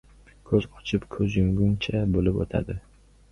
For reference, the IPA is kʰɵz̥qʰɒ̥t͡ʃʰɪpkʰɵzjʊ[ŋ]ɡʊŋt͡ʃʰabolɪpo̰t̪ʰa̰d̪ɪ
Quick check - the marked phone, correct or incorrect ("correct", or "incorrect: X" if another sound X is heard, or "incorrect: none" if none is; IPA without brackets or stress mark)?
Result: correct